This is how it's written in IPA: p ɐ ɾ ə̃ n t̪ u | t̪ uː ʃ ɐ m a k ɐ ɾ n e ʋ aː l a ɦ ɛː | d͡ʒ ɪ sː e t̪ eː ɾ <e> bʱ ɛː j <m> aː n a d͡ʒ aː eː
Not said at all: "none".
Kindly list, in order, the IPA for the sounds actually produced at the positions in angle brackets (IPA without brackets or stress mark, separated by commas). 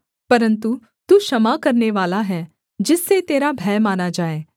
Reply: a, m